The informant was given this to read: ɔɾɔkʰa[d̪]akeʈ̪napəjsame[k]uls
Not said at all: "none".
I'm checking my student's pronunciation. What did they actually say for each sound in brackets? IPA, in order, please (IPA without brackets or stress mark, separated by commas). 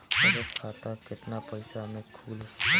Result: t̪, kʰ